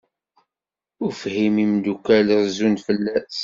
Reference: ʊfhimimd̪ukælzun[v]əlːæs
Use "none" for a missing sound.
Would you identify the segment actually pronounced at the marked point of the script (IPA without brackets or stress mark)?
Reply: f